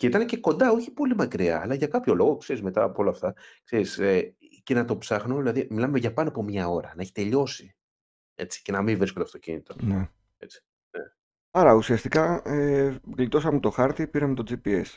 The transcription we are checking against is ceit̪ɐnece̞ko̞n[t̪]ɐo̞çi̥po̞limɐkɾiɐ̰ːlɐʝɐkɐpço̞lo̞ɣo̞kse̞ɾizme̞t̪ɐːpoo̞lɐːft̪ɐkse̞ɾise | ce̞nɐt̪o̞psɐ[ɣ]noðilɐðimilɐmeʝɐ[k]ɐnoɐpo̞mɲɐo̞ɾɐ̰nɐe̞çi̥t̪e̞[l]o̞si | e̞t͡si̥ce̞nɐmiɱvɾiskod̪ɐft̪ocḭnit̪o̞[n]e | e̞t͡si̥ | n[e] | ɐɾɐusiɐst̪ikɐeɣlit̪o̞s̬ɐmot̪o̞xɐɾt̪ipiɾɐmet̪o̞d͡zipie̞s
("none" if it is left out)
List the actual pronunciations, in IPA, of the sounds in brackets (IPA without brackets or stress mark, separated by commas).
d̪, x, p, ʎ, n, e